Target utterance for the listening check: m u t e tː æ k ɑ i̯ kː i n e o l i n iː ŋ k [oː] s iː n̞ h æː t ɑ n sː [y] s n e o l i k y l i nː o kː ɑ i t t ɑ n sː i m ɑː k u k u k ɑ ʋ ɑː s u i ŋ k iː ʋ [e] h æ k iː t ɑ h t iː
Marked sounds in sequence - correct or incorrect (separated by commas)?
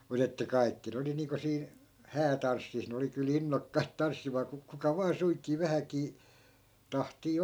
incorrect, incorrect, incorrect